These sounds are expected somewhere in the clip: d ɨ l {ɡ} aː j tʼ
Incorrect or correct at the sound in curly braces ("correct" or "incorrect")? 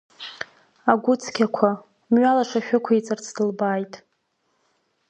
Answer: incorrect